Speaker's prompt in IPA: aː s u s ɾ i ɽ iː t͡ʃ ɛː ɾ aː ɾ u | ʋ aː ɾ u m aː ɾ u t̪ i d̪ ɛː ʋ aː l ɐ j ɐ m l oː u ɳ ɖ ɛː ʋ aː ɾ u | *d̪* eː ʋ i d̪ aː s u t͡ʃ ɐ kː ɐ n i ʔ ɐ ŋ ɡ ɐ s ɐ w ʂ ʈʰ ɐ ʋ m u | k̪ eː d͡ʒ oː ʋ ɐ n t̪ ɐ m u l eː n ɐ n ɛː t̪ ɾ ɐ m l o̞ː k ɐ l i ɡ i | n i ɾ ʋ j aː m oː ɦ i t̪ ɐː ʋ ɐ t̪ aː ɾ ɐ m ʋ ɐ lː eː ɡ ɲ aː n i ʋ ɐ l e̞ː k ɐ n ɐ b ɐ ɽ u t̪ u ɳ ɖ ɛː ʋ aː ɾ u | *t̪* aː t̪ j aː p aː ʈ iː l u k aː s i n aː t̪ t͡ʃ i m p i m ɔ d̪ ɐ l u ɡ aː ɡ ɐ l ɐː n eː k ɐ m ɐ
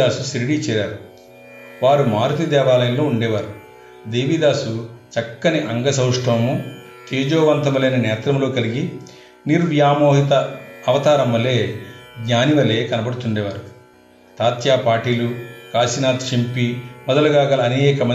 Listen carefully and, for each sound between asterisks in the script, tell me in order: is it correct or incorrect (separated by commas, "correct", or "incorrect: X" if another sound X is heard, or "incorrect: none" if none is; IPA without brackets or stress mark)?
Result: correct, correct